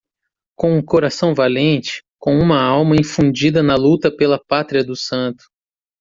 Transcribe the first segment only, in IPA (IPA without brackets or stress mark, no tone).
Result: k